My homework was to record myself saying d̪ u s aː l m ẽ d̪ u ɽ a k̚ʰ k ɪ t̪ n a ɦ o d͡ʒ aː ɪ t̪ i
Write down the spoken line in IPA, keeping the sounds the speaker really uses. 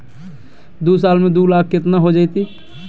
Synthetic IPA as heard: d̪ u s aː l m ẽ d̪ u l a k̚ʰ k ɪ t̪ n a ɦ o d͡ʒ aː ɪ t̪ i